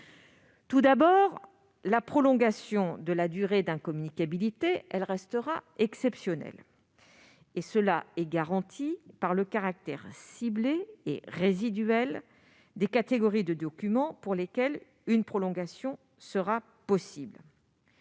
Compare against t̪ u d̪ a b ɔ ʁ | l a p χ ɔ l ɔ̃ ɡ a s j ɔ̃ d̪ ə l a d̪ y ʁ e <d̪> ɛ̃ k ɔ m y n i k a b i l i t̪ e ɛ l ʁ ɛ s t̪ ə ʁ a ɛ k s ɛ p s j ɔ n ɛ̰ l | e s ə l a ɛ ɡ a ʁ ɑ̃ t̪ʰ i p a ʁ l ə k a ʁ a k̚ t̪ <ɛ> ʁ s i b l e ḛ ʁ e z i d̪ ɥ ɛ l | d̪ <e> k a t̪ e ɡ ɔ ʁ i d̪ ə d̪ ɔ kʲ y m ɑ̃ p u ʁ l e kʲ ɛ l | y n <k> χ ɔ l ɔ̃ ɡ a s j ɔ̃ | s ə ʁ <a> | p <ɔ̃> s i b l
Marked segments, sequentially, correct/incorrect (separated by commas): correct, correct, correct, incorrect, correct, incorrect